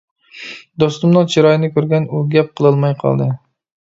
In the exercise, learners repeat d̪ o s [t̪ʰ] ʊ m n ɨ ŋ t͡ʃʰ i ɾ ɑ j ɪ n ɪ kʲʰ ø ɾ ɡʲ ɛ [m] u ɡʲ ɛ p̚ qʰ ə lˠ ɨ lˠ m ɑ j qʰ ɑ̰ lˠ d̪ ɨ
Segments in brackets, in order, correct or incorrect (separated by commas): incorrect, incorrect